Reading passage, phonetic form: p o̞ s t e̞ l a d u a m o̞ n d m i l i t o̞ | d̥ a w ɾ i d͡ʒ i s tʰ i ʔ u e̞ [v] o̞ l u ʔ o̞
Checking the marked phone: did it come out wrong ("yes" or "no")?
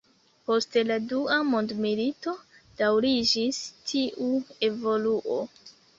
no